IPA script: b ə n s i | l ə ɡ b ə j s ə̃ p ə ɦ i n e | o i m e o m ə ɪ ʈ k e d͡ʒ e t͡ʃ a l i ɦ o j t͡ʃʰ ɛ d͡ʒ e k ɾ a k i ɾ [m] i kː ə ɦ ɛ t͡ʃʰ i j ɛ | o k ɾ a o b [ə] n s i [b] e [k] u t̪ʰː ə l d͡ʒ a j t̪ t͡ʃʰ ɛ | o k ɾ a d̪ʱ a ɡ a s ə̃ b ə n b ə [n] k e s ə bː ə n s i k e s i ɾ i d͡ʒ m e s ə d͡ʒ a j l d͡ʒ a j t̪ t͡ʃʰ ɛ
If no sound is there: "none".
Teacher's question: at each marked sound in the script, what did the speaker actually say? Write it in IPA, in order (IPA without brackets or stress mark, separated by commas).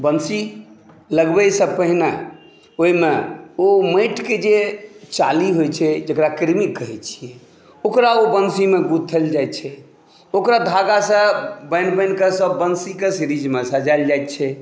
m, ə, m, ɡ, n